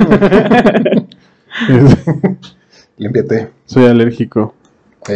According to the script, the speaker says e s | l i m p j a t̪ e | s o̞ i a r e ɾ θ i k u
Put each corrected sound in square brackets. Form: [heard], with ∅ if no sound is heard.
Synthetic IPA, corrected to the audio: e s | l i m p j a t̪ e | s o̞ [j] a [l] e ɾ [x] i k [o]